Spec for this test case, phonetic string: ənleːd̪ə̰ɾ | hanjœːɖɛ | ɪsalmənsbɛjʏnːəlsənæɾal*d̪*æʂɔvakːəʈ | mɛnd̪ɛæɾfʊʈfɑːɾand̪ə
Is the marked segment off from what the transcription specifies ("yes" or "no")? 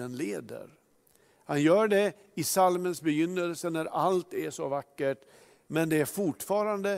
yes